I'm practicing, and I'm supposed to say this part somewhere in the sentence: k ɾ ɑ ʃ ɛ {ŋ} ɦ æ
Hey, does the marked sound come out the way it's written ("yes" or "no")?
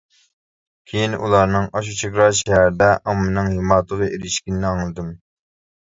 no